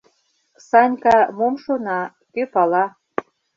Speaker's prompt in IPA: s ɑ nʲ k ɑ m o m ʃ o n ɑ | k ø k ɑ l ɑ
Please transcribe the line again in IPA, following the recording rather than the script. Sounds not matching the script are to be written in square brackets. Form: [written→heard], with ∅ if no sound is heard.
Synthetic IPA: s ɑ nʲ k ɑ m o m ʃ o n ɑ | k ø [k→p] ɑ l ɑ

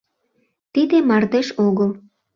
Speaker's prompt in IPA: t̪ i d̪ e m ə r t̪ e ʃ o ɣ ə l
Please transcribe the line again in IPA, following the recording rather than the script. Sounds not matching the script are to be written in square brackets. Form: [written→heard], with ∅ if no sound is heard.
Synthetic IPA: t̪ i d̪ e m [ə→ɑ] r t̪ e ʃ o ɣ ə l

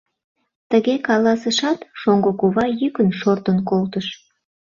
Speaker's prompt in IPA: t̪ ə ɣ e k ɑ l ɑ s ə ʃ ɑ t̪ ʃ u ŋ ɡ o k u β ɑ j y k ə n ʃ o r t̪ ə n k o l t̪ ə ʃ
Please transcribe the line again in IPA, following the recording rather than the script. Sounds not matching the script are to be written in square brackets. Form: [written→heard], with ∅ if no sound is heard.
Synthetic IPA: t̪ ə ɣ e k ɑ l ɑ s ə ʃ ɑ t̪ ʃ [u→o] ŋ ɡ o k u β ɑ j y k ə n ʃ o r t̪ ə n k o l t̪ ə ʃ

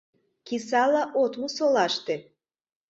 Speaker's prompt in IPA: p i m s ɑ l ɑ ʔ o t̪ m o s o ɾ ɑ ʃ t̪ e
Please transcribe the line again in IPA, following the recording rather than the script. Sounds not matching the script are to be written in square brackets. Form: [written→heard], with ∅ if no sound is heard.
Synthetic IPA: [p→k] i [m→∅] s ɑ l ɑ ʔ o t̪ m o s o [ɾ→l] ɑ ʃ t̪ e

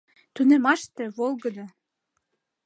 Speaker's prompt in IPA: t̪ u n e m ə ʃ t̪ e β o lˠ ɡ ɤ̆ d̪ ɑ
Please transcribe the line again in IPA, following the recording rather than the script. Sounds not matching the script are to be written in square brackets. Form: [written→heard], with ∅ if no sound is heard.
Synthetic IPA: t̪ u n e m [ə→ɑ] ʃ t̪ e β o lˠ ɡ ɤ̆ d̪ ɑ

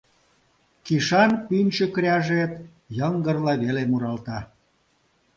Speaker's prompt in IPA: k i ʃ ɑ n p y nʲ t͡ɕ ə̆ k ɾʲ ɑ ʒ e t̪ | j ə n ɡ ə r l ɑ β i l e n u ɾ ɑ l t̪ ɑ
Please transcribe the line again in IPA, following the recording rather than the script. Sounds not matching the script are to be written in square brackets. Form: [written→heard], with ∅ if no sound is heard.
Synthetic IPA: k i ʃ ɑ n p y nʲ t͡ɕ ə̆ k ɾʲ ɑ ʒ e t̪ | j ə [n→ŋ] ɡ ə r l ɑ β [i→e] l e [n→m] u ɾ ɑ l t̪ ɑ

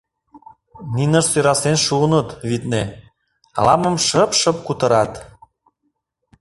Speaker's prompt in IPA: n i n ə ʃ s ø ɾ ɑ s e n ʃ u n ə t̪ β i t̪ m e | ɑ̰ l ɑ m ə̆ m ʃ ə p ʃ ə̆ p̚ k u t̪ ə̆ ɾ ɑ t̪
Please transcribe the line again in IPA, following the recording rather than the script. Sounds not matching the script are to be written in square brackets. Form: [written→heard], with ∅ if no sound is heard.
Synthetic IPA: n i n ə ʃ s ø ɾ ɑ s e n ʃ u n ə t̪ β i t̪ [m→n] e | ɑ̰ l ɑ m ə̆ m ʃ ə p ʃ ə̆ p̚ k u t̪ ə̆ ɾ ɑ t̪

